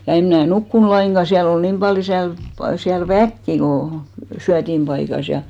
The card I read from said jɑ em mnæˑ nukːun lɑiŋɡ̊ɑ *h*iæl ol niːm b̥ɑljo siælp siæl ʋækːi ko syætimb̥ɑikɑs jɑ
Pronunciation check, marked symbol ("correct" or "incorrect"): incorrect